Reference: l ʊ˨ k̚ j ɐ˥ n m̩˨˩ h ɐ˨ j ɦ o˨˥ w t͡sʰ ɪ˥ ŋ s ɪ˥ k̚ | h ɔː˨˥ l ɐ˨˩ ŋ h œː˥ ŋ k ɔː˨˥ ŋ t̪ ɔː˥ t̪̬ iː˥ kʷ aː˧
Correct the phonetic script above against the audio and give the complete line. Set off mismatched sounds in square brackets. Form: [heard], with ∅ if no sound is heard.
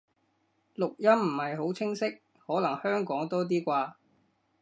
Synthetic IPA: l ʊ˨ k̚ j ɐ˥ [m] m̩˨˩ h ɐ˨ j ɦ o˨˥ w t͡sʰ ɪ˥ ŋ s ɪ˥ k̚ | h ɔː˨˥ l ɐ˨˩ ŋ h œː˥ ŋ k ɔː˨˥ ŋ t̪ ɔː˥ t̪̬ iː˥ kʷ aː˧